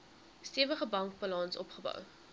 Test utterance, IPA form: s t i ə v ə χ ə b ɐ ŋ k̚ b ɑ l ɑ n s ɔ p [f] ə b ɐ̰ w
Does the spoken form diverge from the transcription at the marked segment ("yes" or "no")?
yes